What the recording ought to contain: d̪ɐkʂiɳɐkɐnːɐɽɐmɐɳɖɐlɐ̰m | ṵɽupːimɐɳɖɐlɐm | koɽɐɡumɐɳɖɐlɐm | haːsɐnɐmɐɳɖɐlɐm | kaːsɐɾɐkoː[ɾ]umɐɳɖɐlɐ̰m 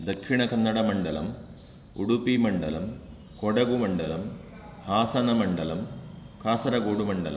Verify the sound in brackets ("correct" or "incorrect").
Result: incorrect